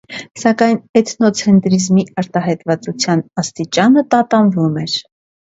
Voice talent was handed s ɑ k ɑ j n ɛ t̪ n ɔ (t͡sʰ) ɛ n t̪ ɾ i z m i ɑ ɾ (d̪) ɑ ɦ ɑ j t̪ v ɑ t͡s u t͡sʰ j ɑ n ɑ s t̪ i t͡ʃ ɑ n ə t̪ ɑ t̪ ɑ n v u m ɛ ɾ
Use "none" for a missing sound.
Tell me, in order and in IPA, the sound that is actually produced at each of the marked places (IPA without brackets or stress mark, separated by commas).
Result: t͡sʰ, t̪